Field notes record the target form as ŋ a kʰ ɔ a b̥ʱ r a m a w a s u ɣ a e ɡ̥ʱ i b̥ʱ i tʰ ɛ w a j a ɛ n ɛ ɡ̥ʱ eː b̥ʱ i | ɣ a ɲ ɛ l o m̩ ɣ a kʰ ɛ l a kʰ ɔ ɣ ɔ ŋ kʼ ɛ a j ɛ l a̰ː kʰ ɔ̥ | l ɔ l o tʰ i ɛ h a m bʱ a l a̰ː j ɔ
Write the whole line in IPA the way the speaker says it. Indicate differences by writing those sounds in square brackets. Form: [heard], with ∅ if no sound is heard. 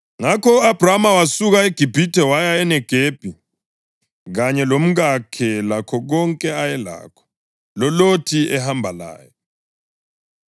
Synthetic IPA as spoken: ŋ a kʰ ɔ a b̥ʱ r a m a w a s u ɣ a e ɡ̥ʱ i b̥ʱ i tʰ ɛ w a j a ɛ n ɛ ɡ̥ʱ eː b̥ʱ i | ɣ a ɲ ɛ l o m̩ ɣ a kʰ ɛ l a kʰ ɔ ɣ ɔ ŋ kʼ ɛ a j ɛ l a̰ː kʰ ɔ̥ | l ɔ l o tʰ i ɛ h a m bʱ a l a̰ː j ɔ